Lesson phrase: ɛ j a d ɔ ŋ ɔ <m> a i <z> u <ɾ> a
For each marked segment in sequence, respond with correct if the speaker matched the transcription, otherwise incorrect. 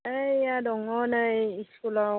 incorrect: n, incorrect: s, incorrect: l

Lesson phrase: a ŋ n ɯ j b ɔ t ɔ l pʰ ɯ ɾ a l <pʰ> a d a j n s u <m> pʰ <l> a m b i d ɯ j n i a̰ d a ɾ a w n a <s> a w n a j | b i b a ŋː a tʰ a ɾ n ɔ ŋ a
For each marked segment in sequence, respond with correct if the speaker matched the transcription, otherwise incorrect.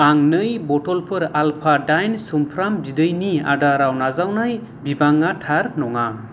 correct, correct, incorrect: ɾ, incorrect: z

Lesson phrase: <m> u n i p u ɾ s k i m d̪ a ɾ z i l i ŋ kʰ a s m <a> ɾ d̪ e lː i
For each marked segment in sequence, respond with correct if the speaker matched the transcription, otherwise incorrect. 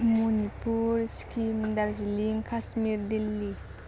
correct, incorrect: i

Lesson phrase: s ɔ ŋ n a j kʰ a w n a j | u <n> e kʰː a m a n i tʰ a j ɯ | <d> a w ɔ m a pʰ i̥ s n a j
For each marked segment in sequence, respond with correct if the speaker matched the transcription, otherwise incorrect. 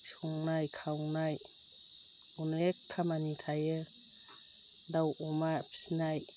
correct, correct

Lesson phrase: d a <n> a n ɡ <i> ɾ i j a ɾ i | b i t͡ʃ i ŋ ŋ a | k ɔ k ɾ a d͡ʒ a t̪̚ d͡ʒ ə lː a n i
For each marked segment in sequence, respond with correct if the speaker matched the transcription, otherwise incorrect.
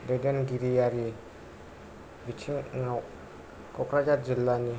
incorrect: d, correct

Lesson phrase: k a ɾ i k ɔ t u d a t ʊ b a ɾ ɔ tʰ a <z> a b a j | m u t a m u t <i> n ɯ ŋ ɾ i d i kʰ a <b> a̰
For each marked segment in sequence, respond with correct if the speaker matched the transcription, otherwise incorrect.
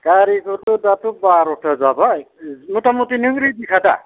correct, correct, incorrect: d

